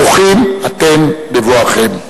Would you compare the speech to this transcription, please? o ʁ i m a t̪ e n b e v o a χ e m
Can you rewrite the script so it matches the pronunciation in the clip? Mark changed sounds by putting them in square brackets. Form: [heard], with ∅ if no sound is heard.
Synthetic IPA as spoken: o [χ] i m a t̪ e [m] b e v o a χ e m